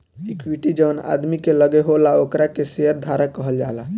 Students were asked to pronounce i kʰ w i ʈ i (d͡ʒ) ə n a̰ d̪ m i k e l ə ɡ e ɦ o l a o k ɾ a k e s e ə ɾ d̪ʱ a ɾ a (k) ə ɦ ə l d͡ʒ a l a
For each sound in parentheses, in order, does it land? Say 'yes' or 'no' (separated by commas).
yes, yes